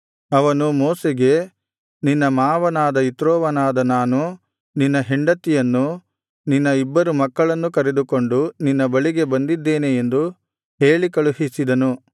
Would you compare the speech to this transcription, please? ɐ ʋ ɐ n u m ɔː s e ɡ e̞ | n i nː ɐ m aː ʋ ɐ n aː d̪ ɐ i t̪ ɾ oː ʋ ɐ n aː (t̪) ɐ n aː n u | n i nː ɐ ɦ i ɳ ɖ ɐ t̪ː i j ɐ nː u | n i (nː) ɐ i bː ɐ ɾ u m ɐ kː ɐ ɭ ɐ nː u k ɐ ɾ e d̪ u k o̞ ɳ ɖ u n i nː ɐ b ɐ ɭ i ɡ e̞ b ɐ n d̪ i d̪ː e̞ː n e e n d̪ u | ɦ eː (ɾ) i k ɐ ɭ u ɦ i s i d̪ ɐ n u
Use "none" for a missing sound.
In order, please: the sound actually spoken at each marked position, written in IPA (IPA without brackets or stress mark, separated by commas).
d̪, nː, ɭ